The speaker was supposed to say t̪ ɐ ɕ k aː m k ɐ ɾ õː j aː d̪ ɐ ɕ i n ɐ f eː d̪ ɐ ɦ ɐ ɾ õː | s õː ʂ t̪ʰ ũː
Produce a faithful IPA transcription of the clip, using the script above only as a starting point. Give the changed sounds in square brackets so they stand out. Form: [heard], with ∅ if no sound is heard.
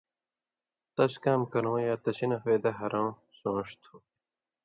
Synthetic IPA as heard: t̪ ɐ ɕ k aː m k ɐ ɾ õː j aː [t̪] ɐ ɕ i n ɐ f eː d̪ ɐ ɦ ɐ ɾ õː | s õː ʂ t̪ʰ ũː

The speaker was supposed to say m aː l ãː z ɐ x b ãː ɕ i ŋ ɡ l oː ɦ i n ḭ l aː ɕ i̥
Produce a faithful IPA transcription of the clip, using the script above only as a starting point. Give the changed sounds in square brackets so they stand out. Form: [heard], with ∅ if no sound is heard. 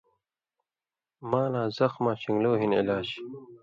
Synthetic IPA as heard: m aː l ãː z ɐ x [m] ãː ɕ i ŋ ɡ l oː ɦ i n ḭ l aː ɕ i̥

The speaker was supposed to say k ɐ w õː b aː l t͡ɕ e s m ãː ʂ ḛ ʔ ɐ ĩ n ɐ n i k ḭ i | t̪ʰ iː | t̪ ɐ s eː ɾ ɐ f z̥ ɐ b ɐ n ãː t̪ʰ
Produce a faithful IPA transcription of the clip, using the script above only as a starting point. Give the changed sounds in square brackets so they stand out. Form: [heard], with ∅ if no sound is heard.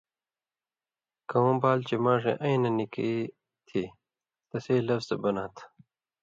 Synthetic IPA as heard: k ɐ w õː b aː l t͡ɕ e [∅] m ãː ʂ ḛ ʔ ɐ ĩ n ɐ n i k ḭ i | t̪ʰ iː | t̪ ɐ s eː [l] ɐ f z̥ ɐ b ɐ n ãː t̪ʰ

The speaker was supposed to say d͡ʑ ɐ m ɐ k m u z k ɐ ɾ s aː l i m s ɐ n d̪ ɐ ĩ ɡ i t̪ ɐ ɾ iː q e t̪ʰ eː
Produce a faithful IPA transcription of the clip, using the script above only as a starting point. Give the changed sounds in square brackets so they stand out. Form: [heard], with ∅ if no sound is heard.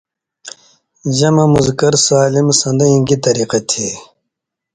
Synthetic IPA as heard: d͡ʑ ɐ m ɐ [∅] m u z k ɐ ɾ s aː l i m s ɐ n d̪ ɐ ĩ ɡ i t̪ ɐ ɾ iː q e t̪ʰ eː

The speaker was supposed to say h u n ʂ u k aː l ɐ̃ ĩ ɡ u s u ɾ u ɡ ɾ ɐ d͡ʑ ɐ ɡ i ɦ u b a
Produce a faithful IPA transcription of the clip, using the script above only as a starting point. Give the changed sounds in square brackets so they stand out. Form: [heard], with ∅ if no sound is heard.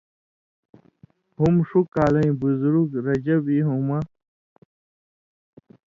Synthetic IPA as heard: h u [m] ʂ u k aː l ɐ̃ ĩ [b] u [z] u ɾ u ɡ ɾ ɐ d͡ʑ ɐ [b] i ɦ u [m] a

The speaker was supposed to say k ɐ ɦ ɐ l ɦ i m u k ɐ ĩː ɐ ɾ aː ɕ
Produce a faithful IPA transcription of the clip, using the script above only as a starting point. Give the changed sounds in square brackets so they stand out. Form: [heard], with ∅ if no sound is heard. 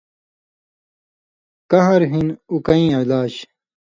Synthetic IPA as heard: k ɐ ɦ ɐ [ɾ] ɦ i [n] u k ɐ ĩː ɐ [l] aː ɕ

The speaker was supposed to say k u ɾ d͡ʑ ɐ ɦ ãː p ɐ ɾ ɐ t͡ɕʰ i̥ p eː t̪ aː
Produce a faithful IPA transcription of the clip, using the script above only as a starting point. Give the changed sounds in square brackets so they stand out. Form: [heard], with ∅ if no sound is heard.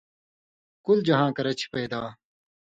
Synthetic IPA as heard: k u [l] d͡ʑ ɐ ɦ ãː [k] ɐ ɾ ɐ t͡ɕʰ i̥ p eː [d̪] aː

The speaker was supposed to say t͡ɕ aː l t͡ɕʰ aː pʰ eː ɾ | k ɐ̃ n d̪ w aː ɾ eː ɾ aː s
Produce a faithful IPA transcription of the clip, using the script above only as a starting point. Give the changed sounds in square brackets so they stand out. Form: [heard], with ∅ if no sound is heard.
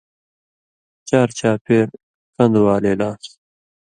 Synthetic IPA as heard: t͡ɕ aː [ɾ] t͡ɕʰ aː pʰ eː ɾ | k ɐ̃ n d̪ w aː [l] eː [l] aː s

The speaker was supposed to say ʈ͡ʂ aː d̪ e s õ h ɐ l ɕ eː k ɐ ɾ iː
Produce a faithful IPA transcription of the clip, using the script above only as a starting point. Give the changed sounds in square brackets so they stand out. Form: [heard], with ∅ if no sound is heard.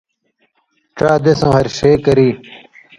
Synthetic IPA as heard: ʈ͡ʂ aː d̪ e s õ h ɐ [ɾ] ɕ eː k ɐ ɾ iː

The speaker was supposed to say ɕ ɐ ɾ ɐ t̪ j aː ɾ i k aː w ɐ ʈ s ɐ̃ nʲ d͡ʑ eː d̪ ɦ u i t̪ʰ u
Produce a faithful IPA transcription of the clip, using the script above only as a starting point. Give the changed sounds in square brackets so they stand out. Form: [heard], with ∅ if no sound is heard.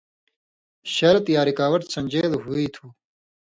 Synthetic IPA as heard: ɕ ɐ ɾ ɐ t̪ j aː ɾ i k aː w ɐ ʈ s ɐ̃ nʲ d͡ʑ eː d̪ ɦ u i t̪ʰ u

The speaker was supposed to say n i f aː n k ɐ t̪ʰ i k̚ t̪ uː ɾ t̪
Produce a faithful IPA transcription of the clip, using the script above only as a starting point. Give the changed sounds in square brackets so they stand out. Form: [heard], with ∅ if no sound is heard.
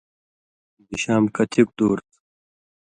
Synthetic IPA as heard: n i [ɕ] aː [m] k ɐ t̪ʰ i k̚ [d̪] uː ɾ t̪

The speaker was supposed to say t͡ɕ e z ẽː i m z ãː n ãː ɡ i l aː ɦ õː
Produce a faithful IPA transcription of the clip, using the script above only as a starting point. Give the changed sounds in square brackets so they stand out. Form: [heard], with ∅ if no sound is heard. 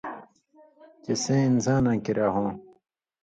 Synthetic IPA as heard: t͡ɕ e [s] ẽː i [n] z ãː n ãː [k] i [ɾ] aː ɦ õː

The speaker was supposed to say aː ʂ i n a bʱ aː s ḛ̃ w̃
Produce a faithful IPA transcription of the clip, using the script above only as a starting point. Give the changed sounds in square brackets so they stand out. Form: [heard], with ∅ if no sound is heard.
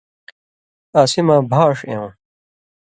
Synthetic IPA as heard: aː [s] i [m] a bʱ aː [ʂ] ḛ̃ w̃

